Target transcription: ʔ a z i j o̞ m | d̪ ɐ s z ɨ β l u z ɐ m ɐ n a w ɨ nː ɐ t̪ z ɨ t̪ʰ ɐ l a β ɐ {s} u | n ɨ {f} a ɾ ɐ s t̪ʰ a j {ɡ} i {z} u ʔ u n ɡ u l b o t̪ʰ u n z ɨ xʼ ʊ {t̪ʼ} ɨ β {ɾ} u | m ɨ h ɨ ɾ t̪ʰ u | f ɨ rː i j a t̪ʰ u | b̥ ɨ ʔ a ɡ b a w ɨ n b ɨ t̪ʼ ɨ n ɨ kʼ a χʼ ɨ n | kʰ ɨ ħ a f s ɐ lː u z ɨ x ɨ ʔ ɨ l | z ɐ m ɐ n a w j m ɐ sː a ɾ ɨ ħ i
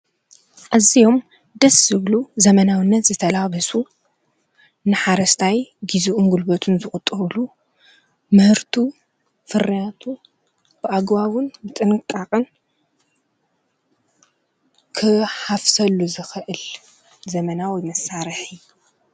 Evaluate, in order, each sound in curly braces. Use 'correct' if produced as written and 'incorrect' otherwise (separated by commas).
correct, incorrect, correct, correct, correct, incorrect